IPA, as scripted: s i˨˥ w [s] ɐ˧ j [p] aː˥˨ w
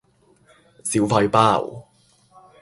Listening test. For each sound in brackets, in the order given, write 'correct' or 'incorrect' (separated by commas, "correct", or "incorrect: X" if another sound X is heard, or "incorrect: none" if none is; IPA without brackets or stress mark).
incorrect: f, correct